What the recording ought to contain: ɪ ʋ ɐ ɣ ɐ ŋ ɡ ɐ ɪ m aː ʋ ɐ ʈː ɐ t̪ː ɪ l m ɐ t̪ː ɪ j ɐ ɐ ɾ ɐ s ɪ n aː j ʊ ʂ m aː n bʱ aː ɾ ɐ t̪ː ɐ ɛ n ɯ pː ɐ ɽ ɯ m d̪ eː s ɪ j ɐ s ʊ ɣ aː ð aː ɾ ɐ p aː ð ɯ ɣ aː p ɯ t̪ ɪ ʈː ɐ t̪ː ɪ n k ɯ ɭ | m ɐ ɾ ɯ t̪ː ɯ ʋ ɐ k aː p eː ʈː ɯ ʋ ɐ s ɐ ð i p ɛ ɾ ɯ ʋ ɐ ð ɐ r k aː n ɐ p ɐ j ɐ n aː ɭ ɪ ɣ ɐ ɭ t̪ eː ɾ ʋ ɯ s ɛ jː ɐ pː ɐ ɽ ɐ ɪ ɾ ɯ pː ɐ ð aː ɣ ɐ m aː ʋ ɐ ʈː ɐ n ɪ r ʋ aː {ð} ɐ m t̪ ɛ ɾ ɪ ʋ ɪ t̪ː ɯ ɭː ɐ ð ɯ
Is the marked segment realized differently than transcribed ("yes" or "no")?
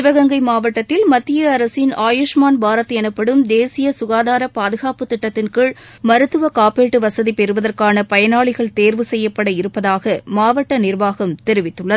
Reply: yes